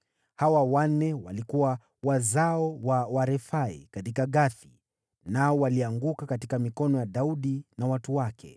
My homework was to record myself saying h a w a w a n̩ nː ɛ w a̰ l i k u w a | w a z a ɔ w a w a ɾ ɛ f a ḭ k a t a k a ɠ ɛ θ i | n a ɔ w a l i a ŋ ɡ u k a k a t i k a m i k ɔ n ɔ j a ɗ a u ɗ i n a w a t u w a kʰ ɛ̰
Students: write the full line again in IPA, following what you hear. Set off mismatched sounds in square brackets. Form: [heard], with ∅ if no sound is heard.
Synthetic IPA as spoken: h a w a w a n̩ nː ɛ w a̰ l i k u w a | w a z a ɔ w a w a ɾ ɛ f a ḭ k a t [i] k a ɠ [a] θ i | n a ɔ w a l i a ŋ ɡ u k a k a t i k a m i k ɔ n ɔ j a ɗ a u ɗ i n a w a t u w a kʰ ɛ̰